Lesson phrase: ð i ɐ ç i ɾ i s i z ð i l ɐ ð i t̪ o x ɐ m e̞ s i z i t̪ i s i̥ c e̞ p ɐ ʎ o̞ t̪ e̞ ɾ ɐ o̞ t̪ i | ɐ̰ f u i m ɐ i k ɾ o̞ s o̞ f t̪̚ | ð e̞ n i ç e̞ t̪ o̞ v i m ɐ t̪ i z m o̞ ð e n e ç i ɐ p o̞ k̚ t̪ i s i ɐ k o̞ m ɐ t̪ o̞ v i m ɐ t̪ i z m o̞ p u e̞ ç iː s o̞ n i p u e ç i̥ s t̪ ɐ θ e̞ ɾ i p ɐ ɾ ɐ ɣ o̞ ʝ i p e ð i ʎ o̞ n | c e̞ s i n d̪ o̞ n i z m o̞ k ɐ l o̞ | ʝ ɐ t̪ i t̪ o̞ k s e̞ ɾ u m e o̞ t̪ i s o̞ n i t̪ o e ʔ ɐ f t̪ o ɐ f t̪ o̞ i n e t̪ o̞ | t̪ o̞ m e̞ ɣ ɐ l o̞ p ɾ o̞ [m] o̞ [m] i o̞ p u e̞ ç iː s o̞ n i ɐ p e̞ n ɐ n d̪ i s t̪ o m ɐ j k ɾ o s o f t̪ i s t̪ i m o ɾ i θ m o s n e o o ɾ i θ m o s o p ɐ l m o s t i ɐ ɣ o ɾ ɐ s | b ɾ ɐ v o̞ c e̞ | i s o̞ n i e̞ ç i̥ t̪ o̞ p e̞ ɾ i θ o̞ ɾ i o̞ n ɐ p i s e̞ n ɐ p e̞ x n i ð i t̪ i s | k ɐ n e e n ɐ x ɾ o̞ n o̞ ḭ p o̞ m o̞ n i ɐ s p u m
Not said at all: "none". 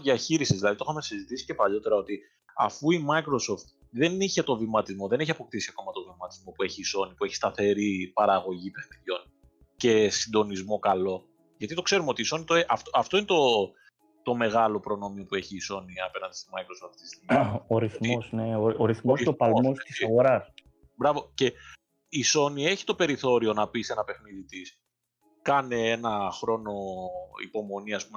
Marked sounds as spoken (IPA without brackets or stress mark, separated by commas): n, m